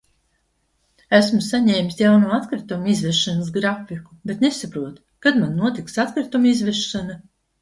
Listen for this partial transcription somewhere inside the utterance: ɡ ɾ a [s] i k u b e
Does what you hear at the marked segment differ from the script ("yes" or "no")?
yes